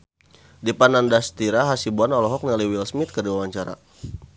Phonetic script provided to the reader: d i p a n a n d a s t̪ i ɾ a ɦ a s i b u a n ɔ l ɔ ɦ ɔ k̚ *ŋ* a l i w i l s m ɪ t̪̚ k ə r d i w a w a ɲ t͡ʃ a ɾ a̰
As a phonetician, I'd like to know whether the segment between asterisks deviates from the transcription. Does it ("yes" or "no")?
yes